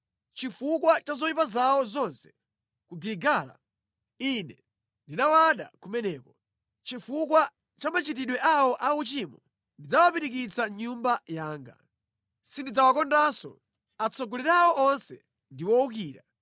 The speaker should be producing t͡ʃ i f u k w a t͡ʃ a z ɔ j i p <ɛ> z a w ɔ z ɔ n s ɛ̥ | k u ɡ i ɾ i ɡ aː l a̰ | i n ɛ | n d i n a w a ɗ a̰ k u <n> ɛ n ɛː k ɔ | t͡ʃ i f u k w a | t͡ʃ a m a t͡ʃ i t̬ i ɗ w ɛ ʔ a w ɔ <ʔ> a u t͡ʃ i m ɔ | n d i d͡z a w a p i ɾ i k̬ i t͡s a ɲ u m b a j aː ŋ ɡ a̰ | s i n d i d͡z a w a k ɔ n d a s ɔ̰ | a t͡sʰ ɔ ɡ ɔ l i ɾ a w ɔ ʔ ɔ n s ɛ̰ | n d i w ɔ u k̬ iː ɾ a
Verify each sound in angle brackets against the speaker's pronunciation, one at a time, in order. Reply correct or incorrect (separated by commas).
incorrect, incorrect, correct